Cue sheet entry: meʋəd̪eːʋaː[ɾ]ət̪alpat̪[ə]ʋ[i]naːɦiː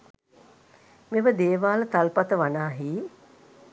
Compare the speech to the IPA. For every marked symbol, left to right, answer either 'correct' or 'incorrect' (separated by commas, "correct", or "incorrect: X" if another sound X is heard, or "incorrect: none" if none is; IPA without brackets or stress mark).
incorrect: l, correct, incorrect: a